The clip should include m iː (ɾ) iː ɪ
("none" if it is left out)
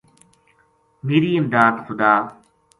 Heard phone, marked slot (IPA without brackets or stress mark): ɾ